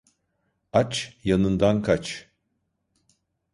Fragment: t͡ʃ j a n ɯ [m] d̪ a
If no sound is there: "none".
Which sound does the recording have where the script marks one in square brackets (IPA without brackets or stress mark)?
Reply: n